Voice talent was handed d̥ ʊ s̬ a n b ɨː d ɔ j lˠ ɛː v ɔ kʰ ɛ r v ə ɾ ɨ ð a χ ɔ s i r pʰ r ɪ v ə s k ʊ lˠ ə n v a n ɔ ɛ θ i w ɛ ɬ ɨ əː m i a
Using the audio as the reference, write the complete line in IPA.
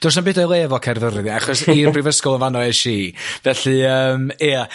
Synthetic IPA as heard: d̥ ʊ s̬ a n b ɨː d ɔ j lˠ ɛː v ɔ kʰ ɛ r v ə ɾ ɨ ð a χ ɔ s i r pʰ r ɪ v ə s k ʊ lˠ ə n v a n ɔ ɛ ʃ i v ɛ ɬ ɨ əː m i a